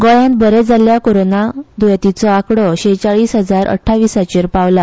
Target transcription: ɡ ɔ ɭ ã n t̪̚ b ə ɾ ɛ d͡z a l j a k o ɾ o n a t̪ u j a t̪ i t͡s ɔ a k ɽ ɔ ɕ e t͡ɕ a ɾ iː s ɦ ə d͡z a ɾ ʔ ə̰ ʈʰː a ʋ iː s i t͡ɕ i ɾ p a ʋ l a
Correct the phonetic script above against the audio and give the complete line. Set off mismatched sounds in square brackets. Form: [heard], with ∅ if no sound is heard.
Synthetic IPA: ɡ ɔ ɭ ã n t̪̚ b ə ɾ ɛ d͡z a l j a k o ɾ o n a [d̪] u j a t̪ i t͡s ɔ a k ɽ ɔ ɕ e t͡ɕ a [ɭ] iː s ɦ ə d͡z a ɾ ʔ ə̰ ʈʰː a ʋ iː s [a] t͡ɕ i ɾ p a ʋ l a